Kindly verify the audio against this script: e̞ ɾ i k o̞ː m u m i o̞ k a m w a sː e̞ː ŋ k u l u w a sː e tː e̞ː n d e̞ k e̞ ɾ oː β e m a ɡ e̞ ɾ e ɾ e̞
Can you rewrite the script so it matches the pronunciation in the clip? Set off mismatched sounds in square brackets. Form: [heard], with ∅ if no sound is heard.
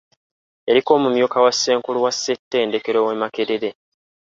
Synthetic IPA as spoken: e̞ ɾ i k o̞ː m u m [j] o̞ k a [∅] w a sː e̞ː ŋ k u l u w a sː e tː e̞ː n d e̞ k e̞ ɾ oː [w] e m a [k] e̞ ɾ e ɾ e̞

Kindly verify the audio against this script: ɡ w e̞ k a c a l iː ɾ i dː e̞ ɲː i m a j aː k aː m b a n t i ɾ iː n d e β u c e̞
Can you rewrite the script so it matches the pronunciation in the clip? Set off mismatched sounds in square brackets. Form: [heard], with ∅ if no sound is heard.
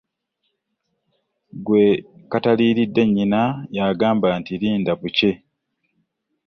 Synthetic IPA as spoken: ɡ w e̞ k a [t] a l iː ɾ i dː e̞ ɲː i [n] a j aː [ɡ] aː m b a n t i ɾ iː n d [a] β u c e̞

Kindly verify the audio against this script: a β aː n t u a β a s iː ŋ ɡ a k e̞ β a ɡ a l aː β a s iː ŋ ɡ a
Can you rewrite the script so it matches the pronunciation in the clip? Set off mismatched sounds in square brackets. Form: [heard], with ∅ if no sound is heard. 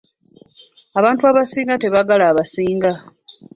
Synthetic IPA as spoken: a β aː n t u a β a s iː ŋ ɡ a [t] e̞ β a ɡ a l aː β a s iː ŋ ɡ a

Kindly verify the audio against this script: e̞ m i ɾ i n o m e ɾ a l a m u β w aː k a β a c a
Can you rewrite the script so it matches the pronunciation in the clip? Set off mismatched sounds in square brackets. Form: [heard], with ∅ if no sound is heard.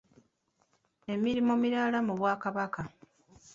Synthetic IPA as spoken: e̞ m i ɾ i [m] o m [i] ɾ a l a m u β w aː k a β a [k] a

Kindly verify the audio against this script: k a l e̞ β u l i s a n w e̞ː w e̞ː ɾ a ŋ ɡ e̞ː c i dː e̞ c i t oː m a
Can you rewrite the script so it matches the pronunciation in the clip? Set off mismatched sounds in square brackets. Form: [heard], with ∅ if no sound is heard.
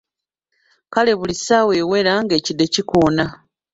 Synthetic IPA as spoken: k a l e̞ β u l i s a [∅] w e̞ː w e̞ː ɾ a ŋ ɡ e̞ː c i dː e̞ c i [k] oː [n] a

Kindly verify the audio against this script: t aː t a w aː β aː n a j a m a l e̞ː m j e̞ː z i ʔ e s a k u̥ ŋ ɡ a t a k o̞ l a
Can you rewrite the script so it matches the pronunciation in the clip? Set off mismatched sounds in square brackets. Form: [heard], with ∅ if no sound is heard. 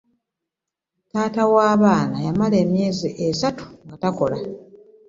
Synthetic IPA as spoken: t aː t a w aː β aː n a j a m a l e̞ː m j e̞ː z i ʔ e s a [t] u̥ ŋ ɡ a t a k o̞ l a

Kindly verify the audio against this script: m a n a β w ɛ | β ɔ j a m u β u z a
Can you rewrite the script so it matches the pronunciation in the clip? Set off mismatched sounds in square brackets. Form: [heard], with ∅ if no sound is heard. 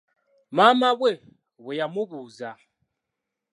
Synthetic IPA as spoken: m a [m] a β w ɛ | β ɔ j a m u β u z a

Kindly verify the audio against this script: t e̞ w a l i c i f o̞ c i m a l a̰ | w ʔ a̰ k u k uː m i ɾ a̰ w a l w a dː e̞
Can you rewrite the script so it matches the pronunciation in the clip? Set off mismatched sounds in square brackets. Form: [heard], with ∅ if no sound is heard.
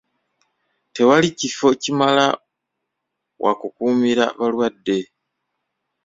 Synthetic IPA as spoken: t e̞ w a l i c i f o̞ c i m a l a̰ | w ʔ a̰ k u k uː m i ɾ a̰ [β] a l w a dː e̞

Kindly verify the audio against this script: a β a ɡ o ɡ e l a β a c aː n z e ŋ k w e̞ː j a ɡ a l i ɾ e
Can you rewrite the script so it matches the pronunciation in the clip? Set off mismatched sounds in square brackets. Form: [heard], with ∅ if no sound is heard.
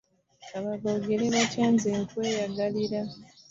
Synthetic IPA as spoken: a β a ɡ o ɡ e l [e] β a c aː n z e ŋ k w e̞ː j a ɡ a l i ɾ [a]

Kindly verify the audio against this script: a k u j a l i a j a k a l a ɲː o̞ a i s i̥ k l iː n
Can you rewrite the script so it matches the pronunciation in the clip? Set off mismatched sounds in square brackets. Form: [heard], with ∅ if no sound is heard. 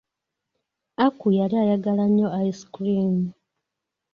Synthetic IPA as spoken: a k u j a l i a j a [ɡ] a l a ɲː o̞ a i s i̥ k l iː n

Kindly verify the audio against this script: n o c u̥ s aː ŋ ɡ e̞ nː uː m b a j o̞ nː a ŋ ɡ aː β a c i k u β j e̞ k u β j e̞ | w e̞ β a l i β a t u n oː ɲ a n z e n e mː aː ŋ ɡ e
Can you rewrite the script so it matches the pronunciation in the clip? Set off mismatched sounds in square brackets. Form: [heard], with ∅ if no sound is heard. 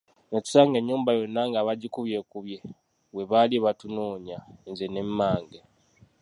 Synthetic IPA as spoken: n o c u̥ s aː ŋ ɡ e̞ [ɲː] uː m b a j o̞ nː a ŋ ɡ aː β a [ɟ] i k u β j e̞ k u β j e̞ | w e̞ β a l i β a t u n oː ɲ a n z e n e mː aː ŋ ɡ e

